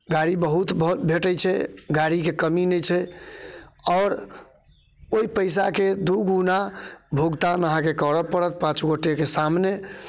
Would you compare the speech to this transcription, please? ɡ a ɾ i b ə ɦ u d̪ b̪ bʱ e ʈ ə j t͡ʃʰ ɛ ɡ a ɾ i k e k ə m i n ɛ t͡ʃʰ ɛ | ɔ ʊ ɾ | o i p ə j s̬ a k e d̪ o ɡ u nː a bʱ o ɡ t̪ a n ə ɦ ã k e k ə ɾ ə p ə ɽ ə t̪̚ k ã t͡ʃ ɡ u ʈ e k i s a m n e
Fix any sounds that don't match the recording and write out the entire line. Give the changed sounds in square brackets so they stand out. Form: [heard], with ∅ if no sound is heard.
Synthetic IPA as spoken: ɡ a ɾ i b ə ɦ u [t̪] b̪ bʱ e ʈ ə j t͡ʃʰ ɛ ɡ a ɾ i k e k ə m i n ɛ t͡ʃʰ ɛ | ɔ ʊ ɾ | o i p ə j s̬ a k e d̪ [u] ɡ u [n] a bʱ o ɡ t̪ a n ə ɦ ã k e k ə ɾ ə p ə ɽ ə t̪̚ [p] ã t͡ʃ ɡ [o] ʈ e k [e] s a m n e